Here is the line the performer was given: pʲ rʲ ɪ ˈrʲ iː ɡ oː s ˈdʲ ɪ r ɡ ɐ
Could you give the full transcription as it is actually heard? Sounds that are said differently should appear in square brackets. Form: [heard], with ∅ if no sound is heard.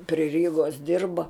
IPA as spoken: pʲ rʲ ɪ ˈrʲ iː ɡ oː s ˈdʲ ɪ r [b] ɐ